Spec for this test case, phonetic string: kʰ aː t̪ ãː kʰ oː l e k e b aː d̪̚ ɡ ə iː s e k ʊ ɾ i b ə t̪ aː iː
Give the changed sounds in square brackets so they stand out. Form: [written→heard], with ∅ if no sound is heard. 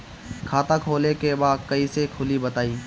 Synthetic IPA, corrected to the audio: kʰ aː t̪ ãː kʰ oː l e k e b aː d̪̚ [ɡ→k] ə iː s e [k→kʰ] ʊ [ɾ→l] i b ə t̪ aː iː